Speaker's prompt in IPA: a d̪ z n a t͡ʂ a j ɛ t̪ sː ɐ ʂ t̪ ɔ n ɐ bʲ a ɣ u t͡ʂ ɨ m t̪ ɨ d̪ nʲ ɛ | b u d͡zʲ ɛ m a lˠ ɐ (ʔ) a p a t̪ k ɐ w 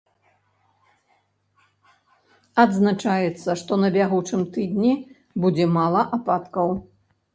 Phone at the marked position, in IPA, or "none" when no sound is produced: ʔ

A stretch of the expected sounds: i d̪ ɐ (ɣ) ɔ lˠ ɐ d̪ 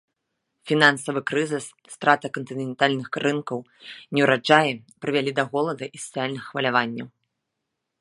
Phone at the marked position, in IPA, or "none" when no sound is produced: ɣ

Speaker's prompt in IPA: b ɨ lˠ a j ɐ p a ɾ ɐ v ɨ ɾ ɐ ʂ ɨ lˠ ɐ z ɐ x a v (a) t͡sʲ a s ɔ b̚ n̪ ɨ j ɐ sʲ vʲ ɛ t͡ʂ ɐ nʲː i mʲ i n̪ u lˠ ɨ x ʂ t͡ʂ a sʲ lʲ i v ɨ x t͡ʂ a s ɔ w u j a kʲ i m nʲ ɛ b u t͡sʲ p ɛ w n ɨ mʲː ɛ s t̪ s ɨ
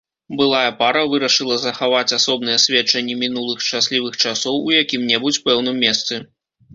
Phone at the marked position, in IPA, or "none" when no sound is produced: a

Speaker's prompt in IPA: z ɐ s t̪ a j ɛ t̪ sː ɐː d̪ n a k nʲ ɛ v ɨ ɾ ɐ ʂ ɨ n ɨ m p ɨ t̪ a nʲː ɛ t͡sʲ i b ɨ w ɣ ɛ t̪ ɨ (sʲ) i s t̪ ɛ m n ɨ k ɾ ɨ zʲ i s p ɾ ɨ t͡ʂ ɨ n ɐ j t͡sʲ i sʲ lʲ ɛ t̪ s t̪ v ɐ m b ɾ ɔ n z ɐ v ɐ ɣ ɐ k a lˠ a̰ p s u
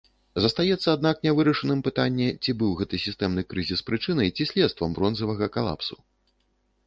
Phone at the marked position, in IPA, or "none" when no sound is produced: sʲ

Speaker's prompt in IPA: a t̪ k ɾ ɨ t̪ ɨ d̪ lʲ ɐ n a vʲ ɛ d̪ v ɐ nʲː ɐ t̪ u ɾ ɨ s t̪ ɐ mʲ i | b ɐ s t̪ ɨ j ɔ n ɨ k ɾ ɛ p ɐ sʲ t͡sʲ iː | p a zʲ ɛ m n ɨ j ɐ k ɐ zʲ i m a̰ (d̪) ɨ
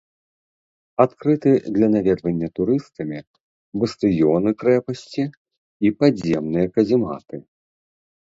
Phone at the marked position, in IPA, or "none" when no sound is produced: t̪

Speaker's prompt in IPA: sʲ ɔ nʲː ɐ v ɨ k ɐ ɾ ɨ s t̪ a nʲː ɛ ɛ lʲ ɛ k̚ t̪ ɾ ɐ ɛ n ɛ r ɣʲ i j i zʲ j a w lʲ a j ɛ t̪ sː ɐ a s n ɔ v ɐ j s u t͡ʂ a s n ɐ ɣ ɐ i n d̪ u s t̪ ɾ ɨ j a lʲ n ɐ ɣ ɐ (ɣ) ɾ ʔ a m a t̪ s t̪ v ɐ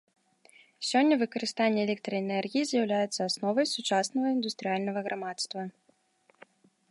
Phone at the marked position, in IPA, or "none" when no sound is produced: ɣ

